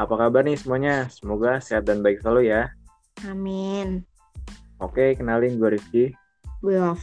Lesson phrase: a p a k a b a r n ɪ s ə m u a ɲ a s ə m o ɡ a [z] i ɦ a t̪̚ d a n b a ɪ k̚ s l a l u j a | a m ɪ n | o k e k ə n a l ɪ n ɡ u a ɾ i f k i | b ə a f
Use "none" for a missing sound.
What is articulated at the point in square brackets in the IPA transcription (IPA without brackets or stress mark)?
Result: s